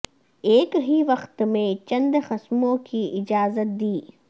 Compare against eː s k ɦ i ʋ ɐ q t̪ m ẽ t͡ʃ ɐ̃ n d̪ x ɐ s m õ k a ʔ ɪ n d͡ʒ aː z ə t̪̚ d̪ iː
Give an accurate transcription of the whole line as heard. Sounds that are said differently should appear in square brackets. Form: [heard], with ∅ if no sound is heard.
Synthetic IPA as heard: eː [∅] k ɦ i ʋ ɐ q t̪ m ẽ t͡ʃ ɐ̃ n d̪ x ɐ s m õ k [i] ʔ ɪ [∅] d͡ʒ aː z ə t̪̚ d̪ iː